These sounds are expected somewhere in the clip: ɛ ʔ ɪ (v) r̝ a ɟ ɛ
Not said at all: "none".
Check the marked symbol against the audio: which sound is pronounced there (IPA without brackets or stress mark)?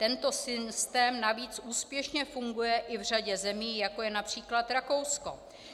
v